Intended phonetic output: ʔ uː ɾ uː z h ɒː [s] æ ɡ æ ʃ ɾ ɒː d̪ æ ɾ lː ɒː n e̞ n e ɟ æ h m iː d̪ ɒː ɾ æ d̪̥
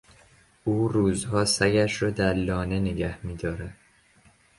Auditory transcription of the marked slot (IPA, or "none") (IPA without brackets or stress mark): s